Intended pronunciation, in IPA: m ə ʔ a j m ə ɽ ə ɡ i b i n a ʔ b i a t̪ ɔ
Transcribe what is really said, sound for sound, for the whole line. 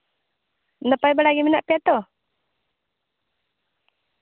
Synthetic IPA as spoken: n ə p a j b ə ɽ a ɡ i m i n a ʔ p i a t̪ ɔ

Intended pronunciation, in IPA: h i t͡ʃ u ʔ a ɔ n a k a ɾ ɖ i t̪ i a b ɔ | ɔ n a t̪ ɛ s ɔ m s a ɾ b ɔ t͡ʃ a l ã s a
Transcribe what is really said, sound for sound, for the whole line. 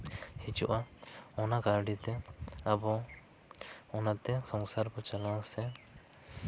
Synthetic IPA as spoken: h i t͡ʃ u ʔ a ɔ n a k a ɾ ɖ i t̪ ɛ a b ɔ | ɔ n a t̪ ɛ s ɔ ŋ s a ɾ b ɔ t͡ʃ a l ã s ɛ

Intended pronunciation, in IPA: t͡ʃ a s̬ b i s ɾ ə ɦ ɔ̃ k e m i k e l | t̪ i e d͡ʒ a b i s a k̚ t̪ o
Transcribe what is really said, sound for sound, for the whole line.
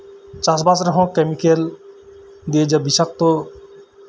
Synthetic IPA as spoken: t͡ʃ a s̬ b a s ɾ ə ɦ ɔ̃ k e m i k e l | d̪ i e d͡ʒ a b i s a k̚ t̪ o

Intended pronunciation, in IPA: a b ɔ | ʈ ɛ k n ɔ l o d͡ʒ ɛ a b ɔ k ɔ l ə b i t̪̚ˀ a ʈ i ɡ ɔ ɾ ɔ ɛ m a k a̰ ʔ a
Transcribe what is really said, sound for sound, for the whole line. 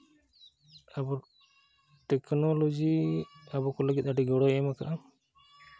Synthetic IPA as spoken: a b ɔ | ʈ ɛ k n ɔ l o d͡ʒ i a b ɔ k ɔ l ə ɡ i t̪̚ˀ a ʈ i ɡ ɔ ɽ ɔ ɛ m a k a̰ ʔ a

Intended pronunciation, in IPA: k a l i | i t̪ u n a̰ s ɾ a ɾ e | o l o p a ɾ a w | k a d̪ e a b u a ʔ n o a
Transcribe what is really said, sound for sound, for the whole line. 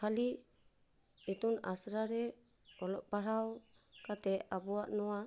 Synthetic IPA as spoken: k a l i | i t̪ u n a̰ s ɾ a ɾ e | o l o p a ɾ a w | k a t̪ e a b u a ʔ n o a

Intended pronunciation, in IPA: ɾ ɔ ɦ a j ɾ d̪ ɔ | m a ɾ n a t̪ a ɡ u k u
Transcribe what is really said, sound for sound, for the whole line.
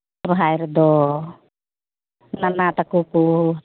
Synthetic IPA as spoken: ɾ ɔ ɦ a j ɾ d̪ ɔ | n a n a t̪ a k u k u

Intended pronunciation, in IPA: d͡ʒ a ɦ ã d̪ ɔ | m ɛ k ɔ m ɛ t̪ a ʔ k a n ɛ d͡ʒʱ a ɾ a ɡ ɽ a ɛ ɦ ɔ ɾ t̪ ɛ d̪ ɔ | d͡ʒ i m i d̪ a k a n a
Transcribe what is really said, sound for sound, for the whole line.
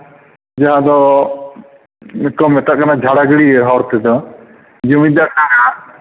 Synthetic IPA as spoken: d͡ʒ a ɦ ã d̪ ɔ | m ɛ k ɔ m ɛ t̪ a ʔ k a n a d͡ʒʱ a ɽ a ɡ ɽ i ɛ ɦ ɔ ɾ t̪ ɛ d̪ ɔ | d͡ʒ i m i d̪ a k a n a

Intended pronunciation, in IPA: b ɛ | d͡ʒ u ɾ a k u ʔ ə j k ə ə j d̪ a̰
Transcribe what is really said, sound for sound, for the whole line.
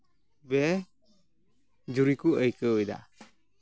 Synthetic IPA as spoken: b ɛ | d͡ʒ u ɾ i k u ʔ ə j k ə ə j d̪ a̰

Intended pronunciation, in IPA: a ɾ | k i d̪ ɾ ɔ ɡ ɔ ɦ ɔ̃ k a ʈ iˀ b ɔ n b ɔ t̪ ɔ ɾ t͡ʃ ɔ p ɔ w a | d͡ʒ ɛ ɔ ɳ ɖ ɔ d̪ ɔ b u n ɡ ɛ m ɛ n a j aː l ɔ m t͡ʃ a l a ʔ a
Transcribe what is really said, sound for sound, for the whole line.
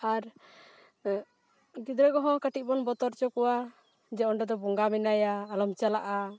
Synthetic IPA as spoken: a ɾ | ɡ i d̪ ɾ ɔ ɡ ɔ ɦ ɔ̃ k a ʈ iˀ b ɔ n b ɔ t̪ ɔ ɾ t͡ʃ ɔ k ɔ w a | d͡ʒ ɛ ɔ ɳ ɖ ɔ d̪ ɔ b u ŋ ɡ a m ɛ n a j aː l ɔ m t͡ʃ a l a ʔ a

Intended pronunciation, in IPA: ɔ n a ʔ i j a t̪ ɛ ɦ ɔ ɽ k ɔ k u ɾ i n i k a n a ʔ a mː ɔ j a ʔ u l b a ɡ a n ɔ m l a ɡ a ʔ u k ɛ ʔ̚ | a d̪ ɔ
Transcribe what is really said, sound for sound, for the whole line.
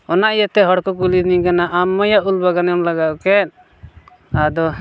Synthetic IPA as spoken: ɔ n a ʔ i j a t̪ ɛ ɦ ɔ ɽ k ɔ k u l i n i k a n a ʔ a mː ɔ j a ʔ u l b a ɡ a n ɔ m l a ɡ a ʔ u k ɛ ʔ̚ | a d̪ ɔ

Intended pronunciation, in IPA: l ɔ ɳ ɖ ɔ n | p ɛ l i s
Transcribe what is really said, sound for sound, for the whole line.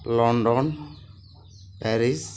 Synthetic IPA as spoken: l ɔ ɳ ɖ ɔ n | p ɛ ɾ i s

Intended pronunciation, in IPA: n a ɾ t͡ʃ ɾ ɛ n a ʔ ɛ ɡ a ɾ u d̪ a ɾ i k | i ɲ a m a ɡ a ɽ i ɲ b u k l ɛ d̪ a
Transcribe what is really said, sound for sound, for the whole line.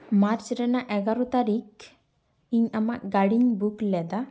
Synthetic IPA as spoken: m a ɾ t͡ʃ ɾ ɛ n a ʔ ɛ ɡ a ɾ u t̪ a ɾ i k | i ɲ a m a ɡ a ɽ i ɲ b u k l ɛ d̪ a

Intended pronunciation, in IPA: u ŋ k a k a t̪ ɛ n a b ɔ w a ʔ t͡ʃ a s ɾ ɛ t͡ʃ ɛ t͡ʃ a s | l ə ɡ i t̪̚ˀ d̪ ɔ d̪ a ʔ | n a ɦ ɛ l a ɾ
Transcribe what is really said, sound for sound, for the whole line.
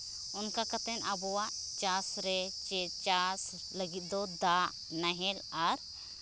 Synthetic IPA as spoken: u n k a k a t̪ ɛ n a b ɔ w a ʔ t͡ʃ a s ɾ ɛ t͡ʃ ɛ t͡ʃ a s | l ə ɡ i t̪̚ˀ d̪ ɔ d̪ a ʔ | n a ɦ ɛ l a ɾ

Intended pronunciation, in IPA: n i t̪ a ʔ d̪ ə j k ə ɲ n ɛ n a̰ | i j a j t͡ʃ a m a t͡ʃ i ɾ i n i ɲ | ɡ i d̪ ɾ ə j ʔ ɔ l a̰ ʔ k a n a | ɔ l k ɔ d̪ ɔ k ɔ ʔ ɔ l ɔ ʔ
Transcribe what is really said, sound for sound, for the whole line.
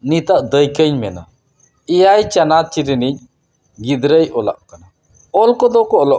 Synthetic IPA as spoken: n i t̪ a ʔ d̪ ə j k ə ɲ m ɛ n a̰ | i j a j t͡ʃ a n a t͡ʃ i ɾ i n i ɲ | ɡ i d̪ ɾ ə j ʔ ɔ l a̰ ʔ k a n a | ɔ l k ɔ d̪ ɔ k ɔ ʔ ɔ l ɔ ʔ

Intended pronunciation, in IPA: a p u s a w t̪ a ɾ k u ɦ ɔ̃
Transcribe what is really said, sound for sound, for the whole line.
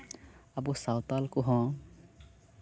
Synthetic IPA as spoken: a b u s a w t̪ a l k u ɦ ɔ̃

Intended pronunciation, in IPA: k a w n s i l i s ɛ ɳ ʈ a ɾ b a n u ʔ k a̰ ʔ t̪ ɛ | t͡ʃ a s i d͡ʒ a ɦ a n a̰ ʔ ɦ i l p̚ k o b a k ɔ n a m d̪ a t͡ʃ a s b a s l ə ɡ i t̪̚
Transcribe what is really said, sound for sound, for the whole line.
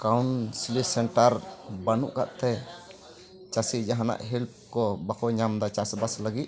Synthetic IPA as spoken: k a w n s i l i s ɛ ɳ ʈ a ɾ b a n u ʔ k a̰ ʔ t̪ ɛ | t͡ʃ a s i d͡ʒ a ɦ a n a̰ ʔ ɦ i l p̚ k ɔ b a k ɔ ɲ a m d̪ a t͡ʃ a s b a s l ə ɡ i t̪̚

